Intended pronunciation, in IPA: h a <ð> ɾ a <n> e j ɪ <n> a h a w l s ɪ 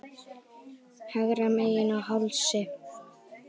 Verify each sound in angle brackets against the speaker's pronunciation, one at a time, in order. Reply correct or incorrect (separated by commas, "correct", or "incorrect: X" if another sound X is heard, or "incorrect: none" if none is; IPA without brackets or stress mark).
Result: incorrect: ɣ, incorrect: m, correct